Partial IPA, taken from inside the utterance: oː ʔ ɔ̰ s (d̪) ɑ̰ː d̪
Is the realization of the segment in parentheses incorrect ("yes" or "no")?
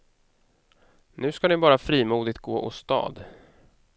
yes